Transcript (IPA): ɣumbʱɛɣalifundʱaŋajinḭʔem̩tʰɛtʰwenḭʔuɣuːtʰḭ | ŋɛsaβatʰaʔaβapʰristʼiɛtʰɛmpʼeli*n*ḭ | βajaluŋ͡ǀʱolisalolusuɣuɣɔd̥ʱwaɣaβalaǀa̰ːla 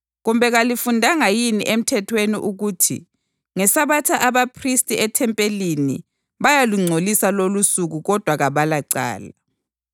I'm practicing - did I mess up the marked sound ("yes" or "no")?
no